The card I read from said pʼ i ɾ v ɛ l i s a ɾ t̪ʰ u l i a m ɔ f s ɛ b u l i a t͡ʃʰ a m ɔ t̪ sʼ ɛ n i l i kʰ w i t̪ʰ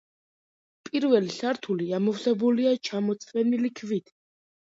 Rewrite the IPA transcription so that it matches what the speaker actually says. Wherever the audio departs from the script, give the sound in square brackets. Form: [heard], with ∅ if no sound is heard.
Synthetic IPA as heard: pʼ i ɾ v ɛ l i s a ɾ t̪ʰ u l i a m ɔ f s ɛ b u l i a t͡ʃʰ a m ɔ t̪ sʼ ɛ n i l i kʰ [v] i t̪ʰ